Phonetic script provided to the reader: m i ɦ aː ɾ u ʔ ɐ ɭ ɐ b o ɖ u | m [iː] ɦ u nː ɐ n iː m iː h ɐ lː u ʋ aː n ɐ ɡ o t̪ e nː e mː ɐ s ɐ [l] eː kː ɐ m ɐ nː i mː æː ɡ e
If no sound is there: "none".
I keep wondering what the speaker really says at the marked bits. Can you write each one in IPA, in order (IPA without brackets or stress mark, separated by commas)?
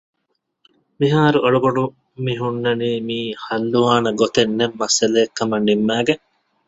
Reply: i, l